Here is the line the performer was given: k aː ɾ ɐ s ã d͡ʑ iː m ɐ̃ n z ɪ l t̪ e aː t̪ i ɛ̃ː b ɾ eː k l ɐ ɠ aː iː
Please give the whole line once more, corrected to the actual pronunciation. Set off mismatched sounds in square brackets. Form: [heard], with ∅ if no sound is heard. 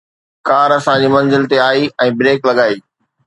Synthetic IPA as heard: k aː ɾ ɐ s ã d͡ʑ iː m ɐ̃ n z ɪ l t̪ e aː [∅] i ɛ̃ː b ɾ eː k l ɐ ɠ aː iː